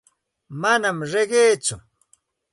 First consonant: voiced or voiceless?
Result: voiced